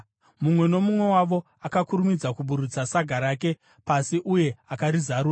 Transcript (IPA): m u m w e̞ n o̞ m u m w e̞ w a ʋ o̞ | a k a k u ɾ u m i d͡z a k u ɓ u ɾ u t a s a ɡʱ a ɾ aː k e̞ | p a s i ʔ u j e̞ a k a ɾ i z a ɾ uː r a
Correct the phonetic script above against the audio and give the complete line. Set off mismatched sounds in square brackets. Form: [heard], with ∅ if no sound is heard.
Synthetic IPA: m u m w e̞ n o̞ m u m w e̞ w a ʋ o̞ | a k a k u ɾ u m i d͡z a k u ɓ u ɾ u [t͡s] a s a ɡʱ a ɾ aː k e̞ | p a s i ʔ u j e̞ a k a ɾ i z a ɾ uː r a